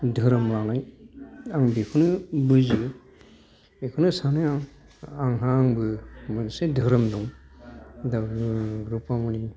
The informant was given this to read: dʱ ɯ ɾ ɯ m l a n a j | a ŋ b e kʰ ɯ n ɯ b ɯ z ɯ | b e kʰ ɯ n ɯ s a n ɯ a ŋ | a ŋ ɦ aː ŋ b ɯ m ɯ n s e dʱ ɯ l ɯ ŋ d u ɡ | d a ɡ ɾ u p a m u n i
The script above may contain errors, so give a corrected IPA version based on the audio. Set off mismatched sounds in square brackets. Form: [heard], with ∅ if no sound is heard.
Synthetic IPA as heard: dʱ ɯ ɾ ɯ m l a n a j | a ŋ b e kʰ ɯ n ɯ b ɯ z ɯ | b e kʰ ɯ n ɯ s a n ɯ a ŋ | a ŋ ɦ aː ŋ b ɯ m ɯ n s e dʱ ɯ [ɾ] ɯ [m] d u [ŋ] | d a ɡ ɾ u p a m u n i